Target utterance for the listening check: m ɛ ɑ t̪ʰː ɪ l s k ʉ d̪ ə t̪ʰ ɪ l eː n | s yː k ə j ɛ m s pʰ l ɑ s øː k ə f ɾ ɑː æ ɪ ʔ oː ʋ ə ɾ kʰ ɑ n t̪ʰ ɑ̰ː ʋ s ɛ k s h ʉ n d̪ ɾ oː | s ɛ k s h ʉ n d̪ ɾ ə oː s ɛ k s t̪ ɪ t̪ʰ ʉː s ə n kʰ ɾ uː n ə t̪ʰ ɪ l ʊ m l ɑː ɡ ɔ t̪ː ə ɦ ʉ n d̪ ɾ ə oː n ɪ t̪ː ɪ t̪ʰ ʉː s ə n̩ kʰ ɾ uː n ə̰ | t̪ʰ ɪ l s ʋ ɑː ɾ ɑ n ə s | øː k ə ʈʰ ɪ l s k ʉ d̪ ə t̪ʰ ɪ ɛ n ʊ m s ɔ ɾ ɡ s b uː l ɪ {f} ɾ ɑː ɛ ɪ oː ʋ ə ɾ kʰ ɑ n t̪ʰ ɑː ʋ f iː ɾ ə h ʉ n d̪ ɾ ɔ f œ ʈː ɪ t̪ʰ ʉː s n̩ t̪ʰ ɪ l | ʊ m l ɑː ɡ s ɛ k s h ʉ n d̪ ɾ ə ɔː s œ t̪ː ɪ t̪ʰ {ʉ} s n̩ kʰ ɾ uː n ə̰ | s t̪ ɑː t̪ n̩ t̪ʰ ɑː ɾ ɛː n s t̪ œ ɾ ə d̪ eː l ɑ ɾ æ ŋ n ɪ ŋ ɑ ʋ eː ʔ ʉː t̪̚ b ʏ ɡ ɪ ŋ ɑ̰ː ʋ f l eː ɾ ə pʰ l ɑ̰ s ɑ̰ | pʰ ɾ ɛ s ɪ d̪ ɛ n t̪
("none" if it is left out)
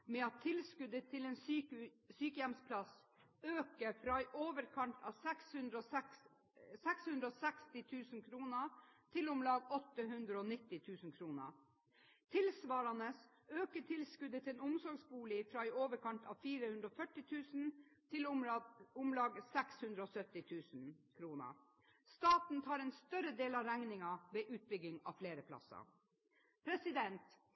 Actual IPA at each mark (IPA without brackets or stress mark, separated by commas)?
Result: f, ʉː